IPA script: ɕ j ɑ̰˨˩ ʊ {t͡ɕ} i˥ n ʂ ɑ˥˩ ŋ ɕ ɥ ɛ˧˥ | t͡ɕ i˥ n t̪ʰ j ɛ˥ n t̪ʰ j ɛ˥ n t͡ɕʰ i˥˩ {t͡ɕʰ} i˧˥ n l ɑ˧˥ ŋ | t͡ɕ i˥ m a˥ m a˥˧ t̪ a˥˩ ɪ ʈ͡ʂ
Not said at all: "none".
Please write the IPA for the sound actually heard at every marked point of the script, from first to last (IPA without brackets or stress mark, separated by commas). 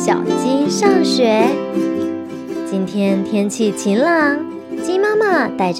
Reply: t͡ɕ, t͡ɕʰ